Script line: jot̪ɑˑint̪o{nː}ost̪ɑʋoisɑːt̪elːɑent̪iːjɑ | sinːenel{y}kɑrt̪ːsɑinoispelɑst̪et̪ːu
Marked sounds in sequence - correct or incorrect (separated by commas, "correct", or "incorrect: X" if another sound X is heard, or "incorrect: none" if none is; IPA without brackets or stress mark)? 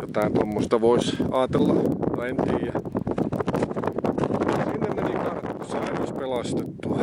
incorrect: mː, incorrect: i